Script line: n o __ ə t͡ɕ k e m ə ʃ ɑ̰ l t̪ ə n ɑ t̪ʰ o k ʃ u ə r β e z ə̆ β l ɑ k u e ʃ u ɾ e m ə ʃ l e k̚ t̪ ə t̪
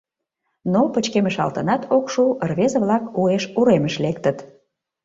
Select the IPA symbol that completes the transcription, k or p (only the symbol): p